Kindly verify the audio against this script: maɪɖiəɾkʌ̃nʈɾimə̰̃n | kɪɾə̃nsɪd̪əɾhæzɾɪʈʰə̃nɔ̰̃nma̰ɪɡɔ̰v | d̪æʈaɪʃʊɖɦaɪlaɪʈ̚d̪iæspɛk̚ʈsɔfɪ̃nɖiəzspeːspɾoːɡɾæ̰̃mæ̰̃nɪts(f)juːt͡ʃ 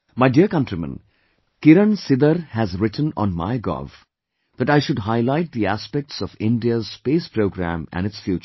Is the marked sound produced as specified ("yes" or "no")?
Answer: yes